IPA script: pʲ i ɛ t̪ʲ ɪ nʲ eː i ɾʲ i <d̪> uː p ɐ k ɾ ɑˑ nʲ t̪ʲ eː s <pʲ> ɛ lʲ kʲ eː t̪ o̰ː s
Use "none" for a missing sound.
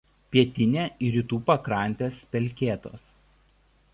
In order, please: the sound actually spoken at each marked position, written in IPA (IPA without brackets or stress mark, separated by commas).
t̪, pʲ